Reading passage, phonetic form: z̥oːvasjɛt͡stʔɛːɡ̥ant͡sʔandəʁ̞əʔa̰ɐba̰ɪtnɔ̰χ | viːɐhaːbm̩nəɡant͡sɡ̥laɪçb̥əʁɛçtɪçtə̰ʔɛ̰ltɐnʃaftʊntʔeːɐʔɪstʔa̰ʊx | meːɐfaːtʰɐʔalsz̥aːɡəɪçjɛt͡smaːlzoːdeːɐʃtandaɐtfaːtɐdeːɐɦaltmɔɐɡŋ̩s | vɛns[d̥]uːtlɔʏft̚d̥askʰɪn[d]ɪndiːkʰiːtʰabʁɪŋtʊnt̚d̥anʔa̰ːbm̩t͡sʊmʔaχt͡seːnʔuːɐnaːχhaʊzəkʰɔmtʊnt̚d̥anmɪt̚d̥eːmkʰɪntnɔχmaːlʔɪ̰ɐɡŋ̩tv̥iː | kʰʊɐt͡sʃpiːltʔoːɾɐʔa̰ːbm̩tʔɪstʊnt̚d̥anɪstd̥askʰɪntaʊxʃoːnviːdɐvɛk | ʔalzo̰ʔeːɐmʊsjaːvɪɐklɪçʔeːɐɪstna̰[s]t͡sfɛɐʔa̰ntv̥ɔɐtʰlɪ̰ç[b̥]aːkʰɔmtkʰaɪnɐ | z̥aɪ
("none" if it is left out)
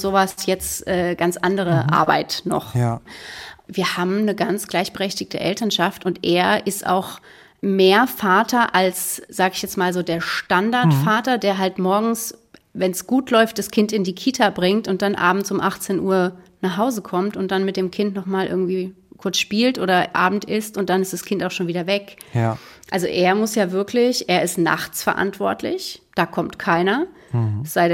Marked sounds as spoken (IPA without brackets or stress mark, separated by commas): ɡ̥, t, χ, d̥